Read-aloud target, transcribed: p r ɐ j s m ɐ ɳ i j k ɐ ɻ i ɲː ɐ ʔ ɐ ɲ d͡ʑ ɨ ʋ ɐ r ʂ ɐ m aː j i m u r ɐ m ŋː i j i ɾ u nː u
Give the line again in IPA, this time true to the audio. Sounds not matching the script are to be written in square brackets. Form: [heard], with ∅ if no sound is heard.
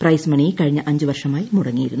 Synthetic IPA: p r ɐ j s m ɐ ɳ i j k ɐ ɻ i ɲː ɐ ʔ ɐ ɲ d͡ʑ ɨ ʋ ɐ r ʂ ɐ m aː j i m u [ɽ] ɐ [∅] ŋː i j i ɾ u nː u